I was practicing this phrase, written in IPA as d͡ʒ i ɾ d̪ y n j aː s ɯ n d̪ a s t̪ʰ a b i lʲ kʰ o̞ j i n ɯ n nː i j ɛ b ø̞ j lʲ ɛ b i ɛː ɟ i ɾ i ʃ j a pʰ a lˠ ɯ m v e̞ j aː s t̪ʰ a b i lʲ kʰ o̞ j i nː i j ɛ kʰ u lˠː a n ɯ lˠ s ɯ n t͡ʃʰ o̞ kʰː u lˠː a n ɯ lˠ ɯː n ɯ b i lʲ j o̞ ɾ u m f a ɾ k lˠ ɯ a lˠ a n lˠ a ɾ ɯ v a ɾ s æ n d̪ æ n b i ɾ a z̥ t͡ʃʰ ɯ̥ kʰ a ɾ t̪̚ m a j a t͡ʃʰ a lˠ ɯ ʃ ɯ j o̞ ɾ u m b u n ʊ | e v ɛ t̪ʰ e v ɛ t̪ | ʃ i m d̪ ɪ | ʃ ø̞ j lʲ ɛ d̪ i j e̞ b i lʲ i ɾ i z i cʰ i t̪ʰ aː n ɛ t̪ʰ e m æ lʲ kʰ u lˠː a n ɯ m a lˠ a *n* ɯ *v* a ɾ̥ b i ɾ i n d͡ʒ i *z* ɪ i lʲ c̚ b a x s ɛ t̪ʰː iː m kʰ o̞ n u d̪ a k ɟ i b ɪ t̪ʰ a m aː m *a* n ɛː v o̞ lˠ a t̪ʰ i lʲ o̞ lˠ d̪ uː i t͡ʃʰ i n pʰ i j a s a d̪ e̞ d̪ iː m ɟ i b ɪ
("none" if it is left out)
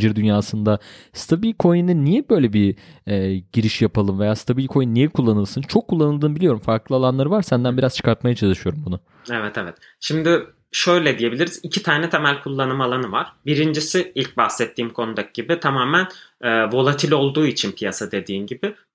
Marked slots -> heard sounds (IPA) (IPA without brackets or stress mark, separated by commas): n, v, s, æ